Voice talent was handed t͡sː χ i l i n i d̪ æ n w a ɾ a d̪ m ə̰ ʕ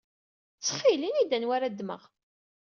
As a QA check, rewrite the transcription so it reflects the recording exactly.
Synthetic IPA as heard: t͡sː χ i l i n i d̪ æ n w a ɾ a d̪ m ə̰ ʁ